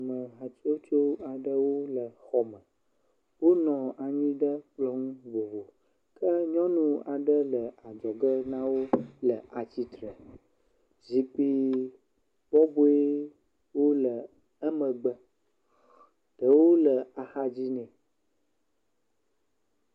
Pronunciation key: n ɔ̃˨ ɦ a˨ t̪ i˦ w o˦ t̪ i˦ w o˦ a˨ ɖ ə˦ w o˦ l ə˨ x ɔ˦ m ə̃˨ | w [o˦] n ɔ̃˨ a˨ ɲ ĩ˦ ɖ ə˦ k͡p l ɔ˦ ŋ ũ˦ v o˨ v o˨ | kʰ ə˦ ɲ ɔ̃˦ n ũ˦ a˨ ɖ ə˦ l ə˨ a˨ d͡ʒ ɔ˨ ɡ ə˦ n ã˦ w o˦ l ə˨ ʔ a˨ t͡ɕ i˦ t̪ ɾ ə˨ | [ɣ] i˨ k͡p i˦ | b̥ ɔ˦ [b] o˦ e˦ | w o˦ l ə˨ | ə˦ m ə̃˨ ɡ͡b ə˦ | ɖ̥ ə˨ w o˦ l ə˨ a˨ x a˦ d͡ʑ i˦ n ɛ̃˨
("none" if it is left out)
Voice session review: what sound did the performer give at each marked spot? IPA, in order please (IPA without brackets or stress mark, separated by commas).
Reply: o˦, z, b